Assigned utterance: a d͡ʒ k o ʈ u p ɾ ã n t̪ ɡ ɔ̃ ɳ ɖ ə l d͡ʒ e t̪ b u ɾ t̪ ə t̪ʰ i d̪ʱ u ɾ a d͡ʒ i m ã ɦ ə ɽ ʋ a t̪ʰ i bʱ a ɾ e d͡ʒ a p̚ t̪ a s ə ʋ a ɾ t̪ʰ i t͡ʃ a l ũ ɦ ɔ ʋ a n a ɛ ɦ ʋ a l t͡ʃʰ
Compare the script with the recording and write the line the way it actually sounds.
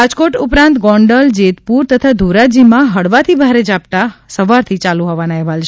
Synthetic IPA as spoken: a d͡ʒ k o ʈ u p ɾ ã n t̪ ɡ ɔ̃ ɳ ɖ ə l d͡ʒ e t̪ p u ɾ t̪ ə t̪ʰ a d̪ʱ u ɾ a d͡ʒ i m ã ɦ ə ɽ ʋ a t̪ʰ i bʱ a ɾ e d͡ʒ a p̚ t̪ a s ə ʋ a ɾ t̪ʰ i t͡ʃ a l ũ ɦ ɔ ʋ a n a ɛ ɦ ʋ a l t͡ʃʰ